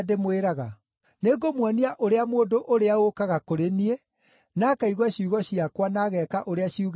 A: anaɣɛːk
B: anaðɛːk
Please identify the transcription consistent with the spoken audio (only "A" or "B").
A